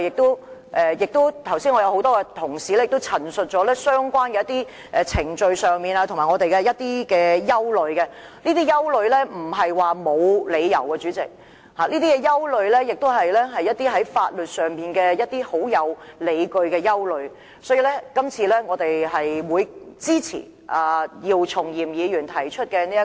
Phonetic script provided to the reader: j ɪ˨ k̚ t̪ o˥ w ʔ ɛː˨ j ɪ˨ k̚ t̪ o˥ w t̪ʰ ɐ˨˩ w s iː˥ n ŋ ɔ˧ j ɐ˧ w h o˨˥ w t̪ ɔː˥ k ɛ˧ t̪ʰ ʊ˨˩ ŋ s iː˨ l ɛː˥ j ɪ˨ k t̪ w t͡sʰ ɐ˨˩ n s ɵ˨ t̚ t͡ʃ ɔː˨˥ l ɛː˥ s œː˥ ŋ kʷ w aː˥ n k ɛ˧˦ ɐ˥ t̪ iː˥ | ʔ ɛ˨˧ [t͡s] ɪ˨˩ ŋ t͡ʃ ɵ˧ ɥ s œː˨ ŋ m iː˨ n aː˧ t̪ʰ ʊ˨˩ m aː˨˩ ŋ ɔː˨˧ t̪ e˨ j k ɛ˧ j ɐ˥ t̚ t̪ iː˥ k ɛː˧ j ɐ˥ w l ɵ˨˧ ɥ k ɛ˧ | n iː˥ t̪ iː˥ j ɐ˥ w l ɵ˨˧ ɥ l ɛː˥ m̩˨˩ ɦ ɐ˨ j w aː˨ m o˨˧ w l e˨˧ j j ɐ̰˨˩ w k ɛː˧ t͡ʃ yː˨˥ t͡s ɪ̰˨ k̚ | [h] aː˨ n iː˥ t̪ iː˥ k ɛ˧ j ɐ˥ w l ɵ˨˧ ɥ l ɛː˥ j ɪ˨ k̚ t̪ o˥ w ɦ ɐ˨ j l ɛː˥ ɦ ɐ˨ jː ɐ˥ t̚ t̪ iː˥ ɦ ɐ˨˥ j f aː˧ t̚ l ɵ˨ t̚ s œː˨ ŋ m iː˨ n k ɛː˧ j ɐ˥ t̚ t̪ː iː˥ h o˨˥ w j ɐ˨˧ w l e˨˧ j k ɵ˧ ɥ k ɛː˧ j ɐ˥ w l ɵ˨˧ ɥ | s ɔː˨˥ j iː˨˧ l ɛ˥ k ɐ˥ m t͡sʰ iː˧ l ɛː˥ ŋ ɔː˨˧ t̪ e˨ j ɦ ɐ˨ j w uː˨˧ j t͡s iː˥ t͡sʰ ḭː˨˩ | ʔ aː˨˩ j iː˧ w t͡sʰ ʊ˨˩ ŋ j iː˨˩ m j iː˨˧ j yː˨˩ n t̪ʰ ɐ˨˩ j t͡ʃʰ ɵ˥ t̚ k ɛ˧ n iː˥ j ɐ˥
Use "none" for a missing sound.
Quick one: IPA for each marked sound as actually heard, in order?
t͡sʰ, h

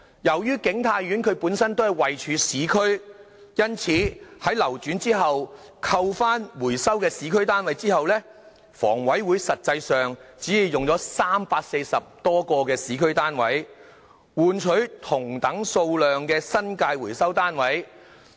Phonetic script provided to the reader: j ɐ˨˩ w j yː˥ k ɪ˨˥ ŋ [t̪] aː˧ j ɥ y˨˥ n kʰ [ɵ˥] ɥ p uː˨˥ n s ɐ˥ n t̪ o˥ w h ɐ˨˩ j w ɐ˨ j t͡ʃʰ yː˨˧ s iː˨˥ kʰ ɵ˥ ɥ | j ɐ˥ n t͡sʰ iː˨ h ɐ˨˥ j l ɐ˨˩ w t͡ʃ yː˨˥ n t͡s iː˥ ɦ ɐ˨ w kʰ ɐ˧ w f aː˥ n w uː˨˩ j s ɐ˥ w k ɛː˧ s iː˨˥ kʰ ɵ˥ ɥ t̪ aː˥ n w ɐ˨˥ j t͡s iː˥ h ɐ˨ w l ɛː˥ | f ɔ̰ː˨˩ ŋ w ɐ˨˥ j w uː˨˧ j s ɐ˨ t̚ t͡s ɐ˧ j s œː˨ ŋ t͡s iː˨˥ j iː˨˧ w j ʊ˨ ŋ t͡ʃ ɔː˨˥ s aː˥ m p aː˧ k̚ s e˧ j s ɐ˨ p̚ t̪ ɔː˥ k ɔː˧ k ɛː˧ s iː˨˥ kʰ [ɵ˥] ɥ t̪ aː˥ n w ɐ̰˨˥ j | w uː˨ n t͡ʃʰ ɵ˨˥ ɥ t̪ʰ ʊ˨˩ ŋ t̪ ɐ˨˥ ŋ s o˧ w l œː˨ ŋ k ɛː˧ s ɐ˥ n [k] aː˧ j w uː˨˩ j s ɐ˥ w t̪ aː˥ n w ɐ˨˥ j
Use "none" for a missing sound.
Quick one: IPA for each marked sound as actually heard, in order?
t̪ʰ, ɵ˨˧, ɵ˥, k

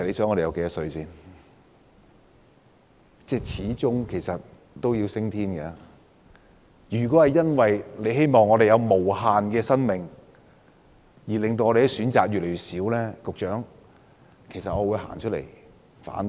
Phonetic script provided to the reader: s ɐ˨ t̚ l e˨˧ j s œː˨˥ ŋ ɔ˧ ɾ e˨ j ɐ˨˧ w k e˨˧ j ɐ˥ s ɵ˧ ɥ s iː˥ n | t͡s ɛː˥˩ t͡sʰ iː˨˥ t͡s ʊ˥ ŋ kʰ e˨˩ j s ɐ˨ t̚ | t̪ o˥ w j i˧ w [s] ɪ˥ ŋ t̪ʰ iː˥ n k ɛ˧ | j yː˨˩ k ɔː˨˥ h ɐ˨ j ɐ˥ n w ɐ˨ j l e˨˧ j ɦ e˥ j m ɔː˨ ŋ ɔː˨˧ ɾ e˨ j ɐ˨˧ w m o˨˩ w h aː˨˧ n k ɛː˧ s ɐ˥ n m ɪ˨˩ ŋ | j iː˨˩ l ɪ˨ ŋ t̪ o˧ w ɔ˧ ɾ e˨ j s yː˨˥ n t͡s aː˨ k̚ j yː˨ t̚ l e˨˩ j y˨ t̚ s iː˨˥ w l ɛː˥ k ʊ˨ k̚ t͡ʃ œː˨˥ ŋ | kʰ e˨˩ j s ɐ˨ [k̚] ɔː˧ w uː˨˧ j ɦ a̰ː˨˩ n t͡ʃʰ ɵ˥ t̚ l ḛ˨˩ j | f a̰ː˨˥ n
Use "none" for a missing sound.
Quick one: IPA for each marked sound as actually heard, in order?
s, t̚

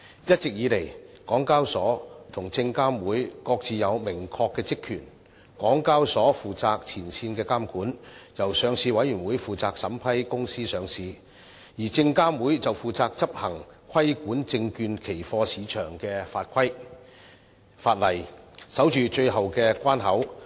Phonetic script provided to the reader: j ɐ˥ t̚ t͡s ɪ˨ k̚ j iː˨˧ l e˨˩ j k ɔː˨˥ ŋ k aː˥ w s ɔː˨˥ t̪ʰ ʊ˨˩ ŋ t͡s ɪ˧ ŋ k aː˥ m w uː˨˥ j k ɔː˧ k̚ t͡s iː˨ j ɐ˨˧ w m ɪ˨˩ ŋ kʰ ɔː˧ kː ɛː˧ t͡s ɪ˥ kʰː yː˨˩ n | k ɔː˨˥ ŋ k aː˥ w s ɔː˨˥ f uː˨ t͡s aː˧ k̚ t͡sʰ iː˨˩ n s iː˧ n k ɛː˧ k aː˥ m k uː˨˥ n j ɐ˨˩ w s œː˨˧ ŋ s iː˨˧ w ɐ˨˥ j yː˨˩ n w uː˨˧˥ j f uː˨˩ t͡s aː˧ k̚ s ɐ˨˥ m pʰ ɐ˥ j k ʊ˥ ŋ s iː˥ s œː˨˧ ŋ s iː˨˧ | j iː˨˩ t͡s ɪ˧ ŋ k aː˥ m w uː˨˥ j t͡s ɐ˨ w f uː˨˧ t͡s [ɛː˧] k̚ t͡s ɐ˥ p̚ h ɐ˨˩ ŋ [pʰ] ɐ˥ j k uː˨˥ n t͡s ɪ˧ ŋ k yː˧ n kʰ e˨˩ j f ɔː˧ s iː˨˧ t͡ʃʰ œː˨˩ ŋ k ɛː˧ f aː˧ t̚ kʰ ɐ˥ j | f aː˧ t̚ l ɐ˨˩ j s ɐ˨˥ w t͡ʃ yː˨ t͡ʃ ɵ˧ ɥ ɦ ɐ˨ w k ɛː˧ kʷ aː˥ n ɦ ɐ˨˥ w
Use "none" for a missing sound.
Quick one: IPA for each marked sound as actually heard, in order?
aː˧, kʰ

